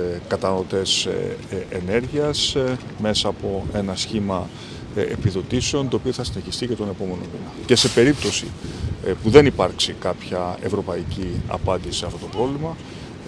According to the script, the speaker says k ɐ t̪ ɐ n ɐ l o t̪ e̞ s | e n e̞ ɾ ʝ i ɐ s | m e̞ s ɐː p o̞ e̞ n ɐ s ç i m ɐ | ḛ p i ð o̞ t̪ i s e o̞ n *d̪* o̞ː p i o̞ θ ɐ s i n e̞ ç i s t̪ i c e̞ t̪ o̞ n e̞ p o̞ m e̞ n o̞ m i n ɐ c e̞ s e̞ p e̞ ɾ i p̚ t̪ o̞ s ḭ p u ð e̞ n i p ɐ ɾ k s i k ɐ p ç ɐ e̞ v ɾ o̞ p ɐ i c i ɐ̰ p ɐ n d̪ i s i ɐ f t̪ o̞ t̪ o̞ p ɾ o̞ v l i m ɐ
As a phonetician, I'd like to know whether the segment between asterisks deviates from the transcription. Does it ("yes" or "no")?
yes